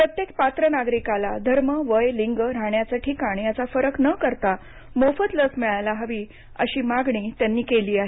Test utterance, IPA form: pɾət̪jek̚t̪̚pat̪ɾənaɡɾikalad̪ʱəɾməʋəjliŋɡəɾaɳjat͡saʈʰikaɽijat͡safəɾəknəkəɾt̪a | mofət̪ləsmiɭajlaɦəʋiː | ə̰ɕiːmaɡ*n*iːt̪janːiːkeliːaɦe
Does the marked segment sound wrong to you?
yes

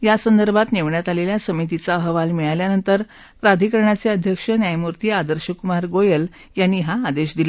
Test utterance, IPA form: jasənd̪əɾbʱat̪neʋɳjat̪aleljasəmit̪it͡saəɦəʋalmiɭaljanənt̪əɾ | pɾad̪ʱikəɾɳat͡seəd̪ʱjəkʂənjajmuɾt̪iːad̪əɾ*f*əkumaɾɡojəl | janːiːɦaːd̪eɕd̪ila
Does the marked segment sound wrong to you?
yes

